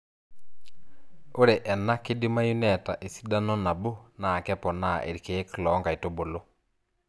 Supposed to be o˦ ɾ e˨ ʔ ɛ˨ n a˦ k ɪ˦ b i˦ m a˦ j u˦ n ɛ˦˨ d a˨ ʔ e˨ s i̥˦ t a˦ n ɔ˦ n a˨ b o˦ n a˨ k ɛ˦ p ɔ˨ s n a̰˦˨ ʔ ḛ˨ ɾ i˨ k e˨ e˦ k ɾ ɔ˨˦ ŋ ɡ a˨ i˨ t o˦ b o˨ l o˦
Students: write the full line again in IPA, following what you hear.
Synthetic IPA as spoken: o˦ ɾ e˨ ʔ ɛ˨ n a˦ k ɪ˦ d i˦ m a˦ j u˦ n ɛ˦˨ t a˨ ʔ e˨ s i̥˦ d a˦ n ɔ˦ n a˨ b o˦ n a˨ k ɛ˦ p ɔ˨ n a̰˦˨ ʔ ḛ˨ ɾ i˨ k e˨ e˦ k l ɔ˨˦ ŋ ɡ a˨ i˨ t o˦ b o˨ l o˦